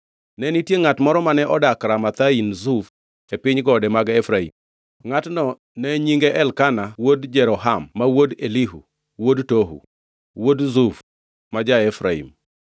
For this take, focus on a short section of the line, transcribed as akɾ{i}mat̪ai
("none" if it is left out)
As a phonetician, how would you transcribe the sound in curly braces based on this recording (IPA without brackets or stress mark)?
a